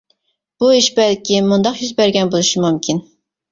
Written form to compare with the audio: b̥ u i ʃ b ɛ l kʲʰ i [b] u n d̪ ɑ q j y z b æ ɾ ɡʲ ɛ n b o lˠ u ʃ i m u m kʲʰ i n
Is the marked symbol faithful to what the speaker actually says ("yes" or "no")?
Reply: no